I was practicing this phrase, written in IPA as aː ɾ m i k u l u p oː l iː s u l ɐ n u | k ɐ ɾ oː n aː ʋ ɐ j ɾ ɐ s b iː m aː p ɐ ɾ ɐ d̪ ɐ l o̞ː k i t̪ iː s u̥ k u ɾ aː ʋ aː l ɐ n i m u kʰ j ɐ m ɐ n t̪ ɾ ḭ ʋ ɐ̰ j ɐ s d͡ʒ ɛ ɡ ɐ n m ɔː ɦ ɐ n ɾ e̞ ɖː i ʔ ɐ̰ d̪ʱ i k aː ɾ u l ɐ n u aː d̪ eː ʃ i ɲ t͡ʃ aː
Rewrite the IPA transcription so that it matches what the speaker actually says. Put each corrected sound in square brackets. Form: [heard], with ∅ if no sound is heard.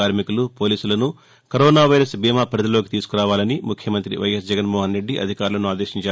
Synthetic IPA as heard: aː ɾ m i k u l u p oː l iː s u l ɐ n u | k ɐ ɾ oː n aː ʋ ɐ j ɾ ɐ s b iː m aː p ɐ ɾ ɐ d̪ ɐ l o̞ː k i t̪ iː s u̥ k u ɾ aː ʋ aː l ɐ n i m u kʰ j ɐ m ɐ n t̪ ɾ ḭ ʋ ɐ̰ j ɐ s d͡ʒ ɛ ɡ ɐ n m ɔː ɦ ɐ n ɾ e̞ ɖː i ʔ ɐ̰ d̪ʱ i k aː ɾ u l ɐ n u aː d̪ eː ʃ i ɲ t͡ʃ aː